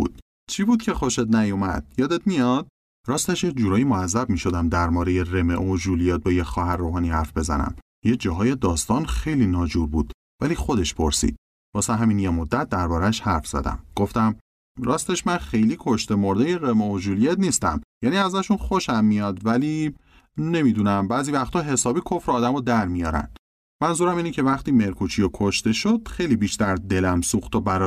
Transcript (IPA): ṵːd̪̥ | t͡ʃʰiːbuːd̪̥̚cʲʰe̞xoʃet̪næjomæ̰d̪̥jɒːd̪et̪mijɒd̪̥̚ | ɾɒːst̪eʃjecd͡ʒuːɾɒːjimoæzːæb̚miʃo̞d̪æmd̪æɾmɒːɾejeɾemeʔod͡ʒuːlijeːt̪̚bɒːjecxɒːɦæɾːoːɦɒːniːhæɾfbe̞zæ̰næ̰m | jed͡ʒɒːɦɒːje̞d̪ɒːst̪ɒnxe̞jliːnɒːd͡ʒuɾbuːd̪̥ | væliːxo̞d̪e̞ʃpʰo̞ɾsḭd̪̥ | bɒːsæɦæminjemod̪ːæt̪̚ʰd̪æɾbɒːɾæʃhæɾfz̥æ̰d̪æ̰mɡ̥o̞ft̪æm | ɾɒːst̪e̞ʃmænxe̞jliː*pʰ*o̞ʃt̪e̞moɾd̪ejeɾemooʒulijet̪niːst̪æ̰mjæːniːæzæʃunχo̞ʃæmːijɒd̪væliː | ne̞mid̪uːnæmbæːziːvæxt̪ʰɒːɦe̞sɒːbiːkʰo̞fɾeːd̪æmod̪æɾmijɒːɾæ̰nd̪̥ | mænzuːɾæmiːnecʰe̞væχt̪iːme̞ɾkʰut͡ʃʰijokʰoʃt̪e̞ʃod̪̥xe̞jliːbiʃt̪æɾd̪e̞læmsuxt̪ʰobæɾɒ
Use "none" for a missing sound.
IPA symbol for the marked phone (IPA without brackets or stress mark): kʰ